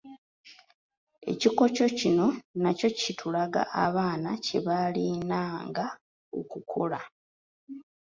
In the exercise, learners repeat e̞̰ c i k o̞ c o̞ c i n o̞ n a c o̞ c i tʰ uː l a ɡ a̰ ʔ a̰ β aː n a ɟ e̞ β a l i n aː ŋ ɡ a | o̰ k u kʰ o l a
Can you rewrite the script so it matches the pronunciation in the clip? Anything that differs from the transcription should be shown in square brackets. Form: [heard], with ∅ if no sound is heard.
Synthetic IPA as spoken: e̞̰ c i k o̞ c o̞ c i n o̞ n a c o̞ c i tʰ [u] l a ɡ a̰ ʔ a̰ β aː n a [c] e̞ β a l i n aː ŋ ɡ a | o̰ k u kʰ o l a